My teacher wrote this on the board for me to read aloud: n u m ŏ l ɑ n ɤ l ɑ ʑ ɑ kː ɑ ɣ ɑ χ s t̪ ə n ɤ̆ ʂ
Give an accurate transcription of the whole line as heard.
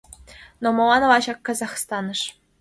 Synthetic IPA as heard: n o m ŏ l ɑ n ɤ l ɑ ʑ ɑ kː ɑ z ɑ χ s t̪ ɑ n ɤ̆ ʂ